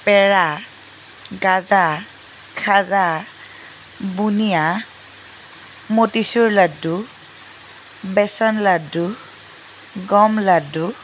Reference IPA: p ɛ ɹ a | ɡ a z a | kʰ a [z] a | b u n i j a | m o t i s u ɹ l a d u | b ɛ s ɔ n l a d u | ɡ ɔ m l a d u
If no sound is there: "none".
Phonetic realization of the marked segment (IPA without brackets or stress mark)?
z